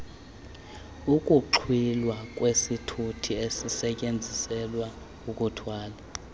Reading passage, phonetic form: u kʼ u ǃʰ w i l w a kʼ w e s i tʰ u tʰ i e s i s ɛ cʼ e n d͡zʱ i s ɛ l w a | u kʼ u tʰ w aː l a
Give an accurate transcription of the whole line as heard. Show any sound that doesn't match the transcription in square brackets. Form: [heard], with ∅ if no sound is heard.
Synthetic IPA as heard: u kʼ u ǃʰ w i l w a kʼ w e s i tʰ u tʰ i e s i s ɛ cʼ e n d͡zʱ i s ɛ l w a | u kʼ u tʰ w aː l a